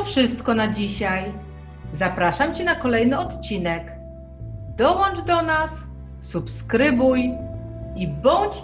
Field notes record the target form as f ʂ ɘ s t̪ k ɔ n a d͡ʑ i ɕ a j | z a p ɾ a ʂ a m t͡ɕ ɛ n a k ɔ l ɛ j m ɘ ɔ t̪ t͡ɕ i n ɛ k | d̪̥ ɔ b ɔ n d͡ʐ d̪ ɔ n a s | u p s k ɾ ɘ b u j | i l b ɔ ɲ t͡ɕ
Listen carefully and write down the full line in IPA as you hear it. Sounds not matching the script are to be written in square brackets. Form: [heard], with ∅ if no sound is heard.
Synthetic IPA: f ʂ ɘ s t̪ k ɔ n a d͡ʑ i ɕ a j | z a p ɾ a ʂ a m t͡ɕ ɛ n a k ɔ l ɛ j [n] ɘ ɔ t̪ t͡ɕ i n ɛ k | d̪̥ ɔ [w] ɔ n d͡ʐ d̪ ɔ n a [sː] | u p s k ɾ ɘ b u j | i [∅] b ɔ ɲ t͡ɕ